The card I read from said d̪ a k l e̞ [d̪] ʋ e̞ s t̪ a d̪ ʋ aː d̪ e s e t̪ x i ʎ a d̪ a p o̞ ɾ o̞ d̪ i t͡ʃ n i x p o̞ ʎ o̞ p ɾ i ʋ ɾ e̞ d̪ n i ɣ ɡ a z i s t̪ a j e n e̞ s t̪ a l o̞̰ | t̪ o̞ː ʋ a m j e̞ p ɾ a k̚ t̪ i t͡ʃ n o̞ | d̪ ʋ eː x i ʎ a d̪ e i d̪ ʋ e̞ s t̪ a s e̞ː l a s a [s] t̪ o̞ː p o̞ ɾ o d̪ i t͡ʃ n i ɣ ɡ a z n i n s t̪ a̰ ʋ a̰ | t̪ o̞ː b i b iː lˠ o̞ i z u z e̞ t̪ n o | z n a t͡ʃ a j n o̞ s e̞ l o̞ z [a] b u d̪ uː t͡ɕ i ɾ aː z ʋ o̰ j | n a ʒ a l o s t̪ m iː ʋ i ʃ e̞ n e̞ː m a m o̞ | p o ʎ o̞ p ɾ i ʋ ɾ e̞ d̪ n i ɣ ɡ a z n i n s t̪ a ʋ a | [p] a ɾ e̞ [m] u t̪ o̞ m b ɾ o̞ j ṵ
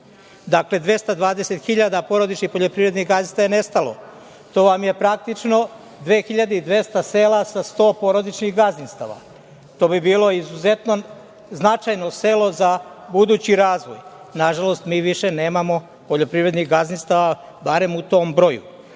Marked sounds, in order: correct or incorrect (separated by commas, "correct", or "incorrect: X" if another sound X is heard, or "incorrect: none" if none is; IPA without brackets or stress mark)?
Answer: correct, correct, correct, incorrect: b, correct